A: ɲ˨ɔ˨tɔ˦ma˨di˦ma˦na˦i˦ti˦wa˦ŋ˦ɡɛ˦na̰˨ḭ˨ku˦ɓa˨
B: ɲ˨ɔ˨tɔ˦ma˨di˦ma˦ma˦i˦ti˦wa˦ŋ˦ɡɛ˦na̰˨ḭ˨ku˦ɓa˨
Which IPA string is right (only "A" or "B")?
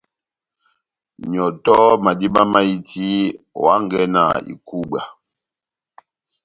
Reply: B